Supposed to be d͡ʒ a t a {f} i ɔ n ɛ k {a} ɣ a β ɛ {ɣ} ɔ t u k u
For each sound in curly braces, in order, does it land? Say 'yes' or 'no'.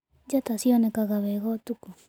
no, yes, yes

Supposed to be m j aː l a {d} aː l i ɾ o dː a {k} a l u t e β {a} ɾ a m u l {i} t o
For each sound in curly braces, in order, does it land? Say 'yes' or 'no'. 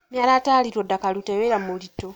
no, yes, no, yes

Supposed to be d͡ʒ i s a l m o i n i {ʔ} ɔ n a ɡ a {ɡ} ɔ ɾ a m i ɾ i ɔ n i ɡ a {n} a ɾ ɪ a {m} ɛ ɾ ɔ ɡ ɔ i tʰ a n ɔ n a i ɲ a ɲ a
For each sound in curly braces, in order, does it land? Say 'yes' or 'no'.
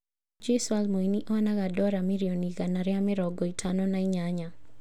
yes, no, yes, yes

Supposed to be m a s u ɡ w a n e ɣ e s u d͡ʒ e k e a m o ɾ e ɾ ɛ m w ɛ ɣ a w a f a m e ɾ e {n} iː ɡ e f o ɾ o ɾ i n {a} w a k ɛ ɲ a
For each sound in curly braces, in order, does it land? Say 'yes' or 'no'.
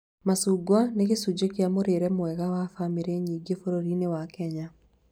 no, no

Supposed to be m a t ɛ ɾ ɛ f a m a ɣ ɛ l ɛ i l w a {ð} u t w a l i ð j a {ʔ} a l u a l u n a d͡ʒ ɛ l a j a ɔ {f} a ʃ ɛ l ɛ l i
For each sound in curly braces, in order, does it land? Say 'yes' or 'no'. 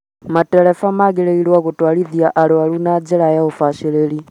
no, yes, yes

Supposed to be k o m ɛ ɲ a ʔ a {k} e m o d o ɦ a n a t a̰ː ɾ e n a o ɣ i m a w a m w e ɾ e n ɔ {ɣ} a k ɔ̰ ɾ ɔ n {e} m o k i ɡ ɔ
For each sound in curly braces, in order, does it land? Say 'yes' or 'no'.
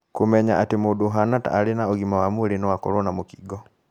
no, no, no

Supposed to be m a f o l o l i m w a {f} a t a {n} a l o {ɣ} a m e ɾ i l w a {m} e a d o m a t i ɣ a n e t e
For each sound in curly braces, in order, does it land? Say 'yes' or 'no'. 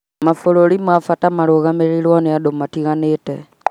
yes, no, yes, no

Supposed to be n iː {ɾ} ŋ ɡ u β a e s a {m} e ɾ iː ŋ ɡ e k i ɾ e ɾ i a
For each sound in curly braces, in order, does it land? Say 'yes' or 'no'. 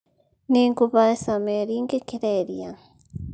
no, yes

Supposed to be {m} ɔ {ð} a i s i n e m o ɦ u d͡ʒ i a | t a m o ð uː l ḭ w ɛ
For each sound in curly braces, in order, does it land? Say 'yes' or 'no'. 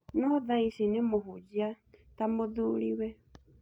no, yes

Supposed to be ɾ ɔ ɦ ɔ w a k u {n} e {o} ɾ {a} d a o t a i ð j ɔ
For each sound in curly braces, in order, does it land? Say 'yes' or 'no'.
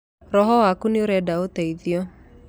yes, yes, no

